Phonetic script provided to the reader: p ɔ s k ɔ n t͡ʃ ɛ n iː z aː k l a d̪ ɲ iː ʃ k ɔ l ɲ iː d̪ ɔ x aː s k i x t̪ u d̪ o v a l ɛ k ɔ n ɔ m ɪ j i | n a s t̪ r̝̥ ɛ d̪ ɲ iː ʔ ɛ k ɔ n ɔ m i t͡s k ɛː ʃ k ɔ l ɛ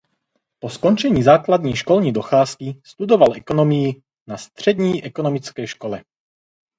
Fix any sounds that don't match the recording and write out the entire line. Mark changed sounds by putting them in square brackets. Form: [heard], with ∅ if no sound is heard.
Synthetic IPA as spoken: p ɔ s k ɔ n t͡ʃ ɛ [ɲ] iː z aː k l a d̪ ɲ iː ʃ k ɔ l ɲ iː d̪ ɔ x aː s k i [s] t̪ u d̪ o v a l ɛ k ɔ n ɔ m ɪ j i | n a s t̪ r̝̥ ɛ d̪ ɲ iː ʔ ɛ k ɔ n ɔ m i t͡s k ɛː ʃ k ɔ l ɛ